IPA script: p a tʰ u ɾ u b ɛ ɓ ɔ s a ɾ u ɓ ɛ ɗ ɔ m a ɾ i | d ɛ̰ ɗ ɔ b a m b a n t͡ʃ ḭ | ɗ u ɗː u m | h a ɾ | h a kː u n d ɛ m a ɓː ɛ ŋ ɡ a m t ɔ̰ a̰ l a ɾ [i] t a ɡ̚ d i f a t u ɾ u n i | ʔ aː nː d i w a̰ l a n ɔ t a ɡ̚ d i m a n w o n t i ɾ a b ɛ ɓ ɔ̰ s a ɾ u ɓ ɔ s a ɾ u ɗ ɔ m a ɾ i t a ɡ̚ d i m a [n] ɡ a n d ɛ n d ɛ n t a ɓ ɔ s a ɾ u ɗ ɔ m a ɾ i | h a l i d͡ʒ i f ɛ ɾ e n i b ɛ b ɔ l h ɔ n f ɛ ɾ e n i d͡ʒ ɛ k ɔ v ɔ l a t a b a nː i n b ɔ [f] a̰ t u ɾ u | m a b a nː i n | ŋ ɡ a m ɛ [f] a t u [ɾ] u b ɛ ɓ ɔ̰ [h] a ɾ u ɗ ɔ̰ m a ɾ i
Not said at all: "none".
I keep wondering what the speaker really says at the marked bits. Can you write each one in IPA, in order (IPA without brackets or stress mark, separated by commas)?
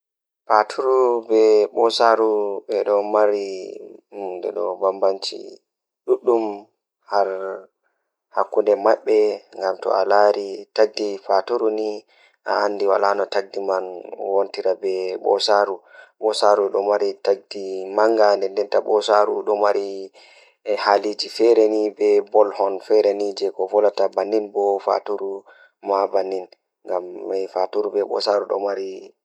i, ŋ, f, f, ɾ, s